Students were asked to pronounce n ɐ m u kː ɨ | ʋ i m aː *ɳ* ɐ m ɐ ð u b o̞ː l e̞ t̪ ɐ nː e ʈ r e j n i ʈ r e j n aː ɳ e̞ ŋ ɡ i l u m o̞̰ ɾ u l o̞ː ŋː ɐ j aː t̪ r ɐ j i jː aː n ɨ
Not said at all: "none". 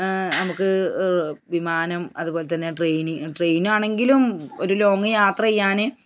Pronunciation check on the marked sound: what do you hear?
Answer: n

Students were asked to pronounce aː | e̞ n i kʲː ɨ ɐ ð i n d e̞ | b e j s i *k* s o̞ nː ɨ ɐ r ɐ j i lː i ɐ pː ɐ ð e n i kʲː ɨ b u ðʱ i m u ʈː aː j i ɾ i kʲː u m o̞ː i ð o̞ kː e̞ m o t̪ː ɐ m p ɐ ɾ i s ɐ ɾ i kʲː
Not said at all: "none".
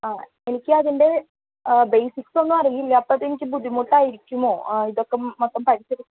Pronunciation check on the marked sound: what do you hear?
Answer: k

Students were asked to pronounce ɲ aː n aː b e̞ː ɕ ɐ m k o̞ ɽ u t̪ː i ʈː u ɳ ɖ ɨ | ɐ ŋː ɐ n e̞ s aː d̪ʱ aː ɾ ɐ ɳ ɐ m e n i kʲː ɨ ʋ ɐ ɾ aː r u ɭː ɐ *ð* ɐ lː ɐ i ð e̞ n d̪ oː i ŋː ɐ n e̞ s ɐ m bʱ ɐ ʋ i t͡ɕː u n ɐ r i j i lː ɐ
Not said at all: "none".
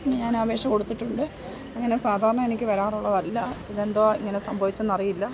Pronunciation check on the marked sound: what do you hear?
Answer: ð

